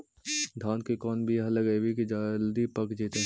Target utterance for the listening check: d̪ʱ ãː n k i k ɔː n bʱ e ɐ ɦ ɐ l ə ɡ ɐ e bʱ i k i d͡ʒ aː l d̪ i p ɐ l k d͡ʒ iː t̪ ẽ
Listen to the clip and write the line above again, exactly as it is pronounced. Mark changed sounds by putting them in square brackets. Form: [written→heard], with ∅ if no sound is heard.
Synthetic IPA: d̪ʱ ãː n k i k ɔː n bʱ [e→i] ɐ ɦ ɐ l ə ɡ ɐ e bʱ i k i d͡ʒ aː l d̪ i p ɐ [l→∅] k d͡ʒ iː t̪ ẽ